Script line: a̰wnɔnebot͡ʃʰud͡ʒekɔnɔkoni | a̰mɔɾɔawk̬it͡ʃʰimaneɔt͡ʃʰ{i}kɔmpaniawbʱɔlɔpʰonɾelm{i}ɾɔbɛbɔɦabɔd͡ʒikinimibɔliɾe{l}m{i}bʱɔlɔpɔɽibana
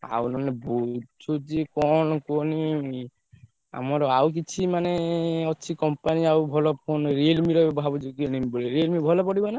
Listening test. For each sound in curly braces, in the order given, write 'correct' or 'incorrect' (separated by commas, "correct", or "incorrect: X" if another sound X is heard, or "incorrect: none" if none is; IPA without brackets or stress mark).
correct, correct, correct, correct